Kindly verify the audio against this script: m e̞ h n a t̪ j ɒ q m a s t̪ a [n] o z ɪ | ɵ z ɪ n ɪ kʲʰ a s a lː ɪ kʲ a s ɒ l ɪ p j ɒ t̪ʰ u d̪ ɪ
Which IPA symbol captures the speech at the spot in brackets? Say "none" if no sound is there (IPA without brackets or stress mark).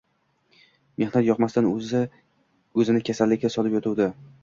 n